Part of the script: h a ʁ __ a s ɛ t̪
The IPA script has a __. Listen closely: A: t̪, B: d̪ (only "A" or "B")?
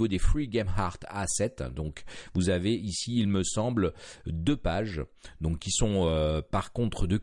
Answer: A